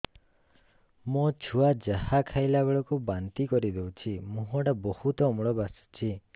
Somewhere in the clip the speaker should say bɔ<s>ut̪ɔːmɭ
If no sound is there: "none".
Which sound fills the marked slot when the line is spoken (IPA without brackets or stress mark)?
h